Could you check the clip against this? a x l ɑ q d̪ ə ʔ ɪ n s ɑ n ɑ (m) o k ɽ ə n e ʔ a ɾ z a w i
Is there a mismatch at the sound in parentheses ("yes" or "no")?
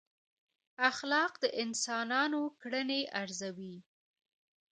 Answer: yes